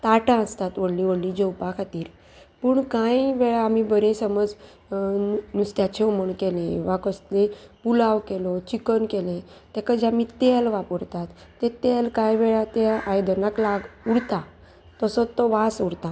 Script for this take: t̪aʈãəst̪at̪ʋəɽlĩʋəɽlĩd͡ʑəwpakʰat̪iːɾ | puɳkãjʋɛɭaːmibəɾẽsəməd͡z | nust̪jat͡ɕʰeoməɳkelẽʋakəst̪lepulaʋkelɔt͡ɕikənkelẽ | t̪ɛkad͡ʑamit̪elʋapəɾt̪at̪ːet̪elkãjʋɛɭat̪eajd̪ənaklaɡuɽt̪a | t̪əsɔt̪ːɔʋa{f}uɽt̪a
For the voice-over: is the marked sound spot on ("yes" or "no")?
no